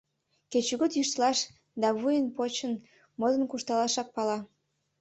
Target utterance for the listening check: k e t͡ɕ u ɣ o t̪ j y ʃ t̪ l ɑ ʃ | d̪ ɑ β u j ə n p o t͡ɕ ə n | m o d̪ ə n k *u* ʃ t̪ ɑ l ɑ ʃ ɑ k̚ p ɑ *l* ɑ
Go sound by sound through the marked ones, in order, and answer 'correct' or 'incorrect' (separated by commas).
correct, correct